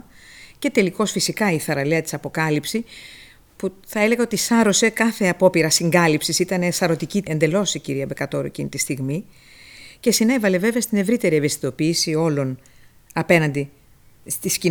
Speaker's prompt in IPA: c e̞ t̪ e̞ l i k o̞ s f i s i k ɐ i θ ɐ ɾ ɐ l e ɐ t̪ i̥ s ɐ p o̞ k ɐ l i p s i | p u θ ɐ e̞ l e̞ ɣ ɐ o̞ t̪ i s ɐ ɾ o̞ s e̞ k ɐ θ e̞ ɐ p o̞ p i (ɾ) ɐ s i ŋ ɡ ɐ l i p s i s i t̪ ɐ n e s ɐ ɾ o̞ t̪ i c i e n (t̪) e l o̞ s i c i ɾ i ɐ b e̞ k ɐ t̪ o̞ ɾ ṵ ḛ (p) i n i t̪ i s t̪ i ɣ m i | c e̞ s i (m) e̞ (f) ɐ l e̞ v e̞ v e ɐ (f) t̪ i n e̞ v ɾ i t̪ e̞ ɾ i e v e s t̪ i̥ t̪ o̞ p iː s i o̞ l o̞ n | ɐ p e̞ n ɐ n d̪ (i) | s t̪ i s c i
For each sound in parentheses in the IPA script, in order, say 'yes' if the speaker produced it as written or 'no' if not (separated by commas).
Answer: yes, no, no, no, no, no, yes